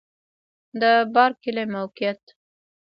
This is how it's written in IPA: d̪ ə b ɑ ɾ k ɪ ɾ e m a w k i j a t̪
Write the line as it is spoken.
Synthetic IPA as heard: d̪ ə b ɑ ɾ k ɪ l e m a w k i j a t̪